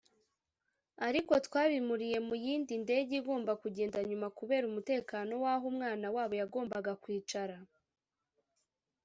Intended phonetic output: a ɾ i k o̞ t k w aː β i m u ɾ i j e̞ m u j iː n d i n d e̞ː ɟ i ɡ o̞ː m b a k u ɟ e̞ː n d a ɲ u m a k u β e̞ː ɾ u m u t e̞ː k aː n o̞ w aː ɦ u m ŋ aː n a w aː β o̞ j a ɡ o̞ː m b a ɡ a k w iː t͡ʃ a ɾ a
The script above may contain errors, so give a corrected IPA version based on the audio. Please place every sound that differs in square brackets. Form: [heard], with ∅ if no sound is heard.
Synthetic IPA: a ɾ i k o̞ t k w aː β i m u ɾ i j e̞ m u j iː n d i n d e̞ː ɟ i ɡ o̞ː m b a k u ɟ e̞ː n d a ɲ u m a k u β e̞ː ɾ u m u t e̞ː k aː n o̞ w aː ɦ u m ŋ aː n a w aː β o̞ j a ɡ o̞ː m b a ɡ a k w iː t͡ʃ a ɾ a